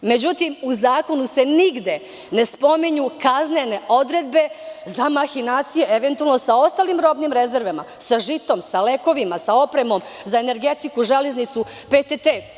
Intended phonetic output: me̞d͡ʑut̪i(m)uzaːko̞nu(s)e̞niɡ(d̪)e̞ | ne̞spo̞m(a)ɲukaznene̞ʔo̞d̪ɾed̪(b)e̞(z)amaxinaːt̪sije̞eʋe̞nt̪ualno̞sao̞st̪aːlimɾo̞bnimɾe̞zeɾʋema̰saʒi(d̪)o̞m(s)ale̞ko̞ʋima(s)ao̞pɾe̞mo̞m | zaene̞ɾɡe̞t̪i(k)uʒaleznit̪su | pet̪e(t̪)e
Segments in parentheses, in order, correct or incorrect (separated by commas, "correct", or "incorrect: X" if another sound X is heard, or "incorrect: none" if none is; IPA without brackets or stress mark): correct, correct, correct, incorrect: i, correct, correct, incorrect: t̪, correct, correct, correct, correct